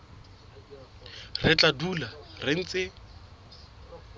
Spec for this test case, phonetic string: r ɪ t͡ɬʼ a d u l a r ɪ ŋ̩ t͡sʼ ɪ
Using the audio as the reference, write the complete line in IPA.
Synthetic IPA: r ɪ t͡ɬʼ a d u l a r ɪ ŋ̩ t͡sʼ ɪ